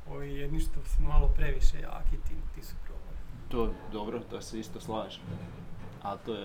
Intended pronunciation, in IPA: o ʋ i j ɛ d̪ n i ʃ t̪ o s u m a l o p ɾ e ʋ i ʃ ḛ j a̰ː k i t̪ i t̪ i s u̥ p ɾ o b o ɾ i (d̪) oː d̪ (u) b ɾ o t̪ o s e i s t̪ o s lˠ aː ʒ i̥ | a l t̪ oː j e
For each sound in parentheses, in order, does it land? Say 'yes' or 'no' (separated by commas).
no, no